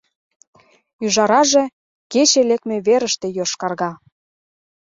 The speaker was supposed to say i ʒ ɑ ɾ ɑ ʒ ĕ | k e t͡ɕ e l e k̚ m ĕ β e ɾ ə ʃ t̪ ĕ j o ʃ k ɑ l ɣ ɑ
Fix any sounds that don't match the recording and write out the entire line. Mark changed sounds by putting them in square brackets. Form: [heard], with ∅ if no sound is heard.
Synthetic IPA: [y] ʒ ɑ ɾ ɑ ʒ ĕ | k e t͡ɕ e l e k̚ m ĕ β e ɾ ə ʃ t̪ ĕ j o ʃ k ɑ [r] ɣ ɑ